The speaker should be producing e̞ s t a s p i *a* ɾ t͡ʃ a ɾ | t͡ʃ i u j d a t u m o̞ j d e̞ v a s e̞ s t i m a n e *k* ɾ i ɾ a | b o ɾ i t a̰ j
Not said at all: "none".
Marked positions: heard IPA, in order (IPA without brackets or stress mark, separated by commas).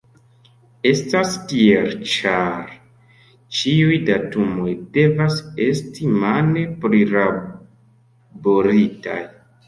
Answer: e, p